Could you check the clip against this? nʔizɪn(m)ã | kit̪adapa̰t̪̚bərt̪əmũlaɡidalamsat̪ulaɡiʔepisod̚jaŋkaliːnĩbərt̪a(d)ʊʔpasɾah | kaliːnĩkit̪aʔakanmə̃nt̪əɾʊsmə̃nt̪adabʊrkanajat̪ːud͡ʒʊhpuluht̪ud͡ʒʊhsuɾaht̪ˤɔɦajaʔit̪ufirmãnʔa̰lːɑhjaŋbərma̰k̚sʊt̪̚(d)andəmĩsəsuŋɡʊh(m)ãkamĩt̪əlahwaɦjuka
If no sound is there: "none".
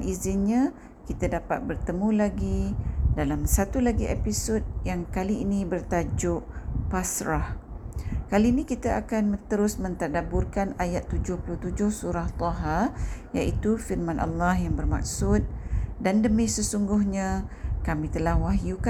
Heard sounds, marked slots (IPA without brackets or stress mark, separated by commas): ɲ, d͡ʒ, d, ɲ